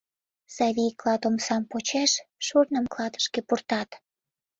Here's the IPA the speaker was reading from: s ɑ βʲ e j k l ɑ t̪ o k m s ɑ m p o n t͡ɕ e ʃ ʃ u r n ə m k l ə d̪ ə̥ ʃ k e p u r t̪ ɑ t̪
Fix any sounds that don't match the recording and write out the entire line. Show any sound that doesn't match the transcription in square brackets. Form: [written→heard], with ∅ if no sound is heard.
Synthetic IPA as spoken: s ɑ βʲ [e→i] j k l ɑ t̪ o [k→∅] m s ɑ m p o [n→∅] t͡ɕ e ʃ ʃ u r n ə m k l [ə→ɑ] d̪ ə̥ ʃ k e p u r t̪ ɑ t̪